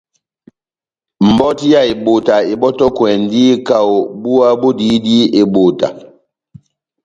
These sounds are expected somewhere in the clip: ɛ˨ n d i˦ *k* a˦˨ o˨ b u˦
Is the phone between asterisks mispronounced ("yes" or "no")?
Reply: no